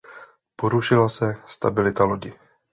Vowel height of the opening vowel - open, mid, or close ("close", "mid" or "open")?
mid